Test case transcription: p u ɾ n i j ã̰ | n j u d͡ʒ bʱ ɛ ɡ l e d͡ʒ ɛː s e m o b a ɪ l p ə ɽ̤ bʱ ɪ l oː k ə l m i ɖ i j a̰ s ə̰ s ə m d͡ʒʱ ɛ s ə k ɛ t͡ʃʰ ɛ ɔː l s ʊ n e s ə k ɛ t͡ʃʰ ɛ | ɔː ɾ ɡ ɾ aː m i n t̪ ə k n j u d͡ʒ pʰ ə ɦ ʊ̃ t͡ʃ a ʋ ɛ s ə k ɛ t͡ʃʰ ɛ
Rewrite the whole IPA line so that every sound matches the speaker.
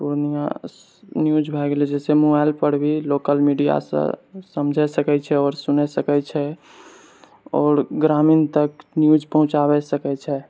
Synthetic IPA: p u ɾ n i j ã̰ | n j u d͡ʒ bʱ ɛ ɡ l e d͡ʒ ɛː s e m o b a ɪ l p ə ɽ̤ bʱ i l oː k ə l m i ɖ i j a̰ s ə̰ s ə m d͡ʒʱ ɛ s ə k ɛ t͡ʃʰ ɛ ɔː ɾ s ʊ n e s ə k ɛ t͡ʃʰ ɛ | ɔː ɾ ɡ ɾ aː m i n t̪ ə k n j u d͡ʒ p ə ɦ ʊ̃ t͡ʃ a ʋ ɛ s ə k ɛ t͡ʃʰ ɛ